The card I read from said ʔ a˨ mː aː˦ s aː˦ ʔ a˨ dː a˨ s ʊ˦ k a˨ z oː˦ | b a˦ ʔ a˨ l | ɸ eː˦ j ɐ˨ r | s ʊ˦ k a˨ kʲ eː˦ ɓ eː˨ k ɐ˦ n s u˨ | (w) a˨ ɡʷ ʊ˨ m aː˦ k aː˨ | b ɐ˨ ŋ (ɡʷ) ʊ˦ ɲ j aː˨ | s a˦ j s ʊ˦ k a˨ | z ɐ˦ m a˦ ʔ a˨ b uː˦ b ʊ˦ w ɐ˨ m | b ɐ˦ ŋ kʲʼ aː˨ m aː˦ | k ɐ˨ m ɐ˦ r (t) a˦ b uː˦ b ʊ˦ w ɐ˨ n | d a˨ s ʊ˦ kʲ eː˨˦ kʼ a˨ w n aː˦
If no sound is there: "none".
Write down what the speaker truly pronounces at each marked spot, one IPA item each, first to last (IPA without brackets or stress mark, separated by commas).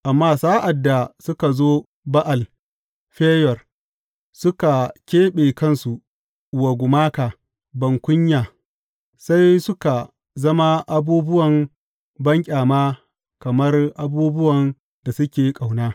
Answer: w, kʷ, ʔ